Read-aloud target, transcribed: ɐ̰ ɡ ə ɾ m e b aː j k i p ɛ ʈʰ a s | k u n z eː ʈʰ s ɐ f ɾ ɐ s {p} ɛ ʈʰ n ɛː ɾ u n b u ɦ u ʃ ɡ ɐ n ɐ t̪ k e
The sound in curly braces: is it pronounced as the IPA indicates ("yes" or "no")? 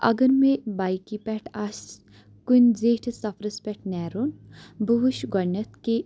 yes